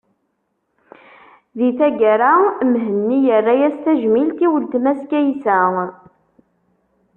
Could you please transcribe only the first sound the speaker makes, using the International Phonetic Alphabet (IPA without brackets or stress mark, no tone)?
ð